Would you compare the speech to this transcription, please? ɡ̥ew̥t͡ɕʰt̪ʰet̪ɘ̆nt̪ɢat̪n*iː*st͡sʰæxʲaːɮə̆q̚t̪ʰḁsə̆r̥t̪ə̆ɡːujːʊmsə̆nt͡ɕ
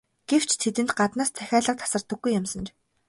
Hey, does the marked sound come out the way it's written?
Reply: no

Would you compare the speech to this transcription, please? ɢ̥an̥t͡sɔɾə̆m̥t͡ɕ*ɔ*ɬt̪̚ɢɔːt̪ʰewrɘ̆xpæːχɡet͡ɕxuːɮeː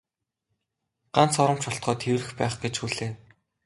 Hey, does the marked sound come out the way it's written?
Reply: yes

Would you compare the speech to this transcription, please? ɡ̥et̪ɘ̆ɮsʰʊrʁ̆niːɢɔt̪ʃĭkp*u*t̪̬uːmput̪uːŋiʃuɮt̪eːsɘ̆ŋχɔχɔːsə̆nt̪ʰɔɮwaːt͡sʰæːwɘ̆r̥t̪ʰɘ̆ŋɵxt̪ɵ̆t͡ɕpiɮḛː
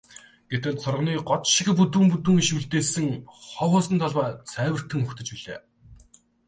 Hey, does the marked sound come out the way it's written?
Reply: yes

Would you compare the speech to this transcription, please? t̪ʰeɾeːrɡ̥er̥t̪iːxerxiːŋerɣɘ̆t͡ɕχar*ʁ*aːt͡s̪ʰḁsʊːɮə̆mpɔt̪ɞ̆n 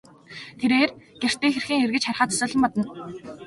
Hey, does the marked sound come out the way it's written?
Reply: no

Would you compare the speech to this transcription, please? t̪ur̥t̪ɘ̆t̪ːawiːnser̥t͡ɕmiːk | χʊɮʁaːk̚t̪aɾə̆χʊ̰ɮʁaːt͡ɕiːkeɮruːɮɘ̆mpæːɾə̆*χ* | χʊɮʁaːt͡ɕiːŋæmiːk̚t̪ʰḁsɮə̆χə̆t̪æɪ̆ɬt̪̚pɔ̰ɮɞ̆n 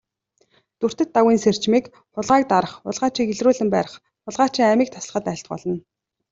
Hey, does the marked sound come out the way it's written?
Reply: yes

